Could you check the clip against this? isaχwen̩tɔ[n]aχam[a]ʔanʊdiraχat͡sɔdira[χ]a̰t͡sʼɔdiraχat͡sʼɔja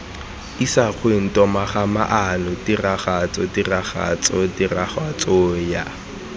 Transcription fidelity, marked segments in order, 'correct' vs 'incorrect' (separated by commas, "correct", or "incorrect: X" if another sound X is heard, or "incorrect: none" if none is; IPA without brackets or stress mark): incorrect: m, correct, correct